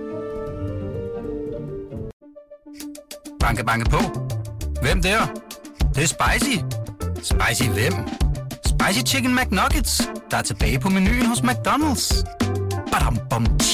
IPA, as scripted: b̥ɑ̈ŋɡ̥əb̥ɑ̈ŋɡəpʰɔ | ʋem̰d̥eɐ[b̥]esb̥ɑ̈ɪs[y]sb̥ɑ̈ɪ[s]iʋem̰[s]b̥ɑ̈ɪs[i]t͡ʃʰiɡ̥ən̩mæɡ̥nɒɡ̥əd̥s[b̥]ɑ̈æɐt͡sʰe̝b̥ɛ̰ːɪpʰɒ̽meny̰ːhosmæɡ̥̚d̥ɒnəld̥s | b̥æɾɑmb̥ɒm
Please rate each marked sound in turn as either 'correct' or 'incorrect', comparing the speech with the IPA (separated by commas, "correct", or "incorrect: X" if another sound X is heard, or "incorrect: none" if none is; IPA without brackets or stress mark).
incorrect: d̥, incorrect: i, correct, correct, correct, incorrect: d̥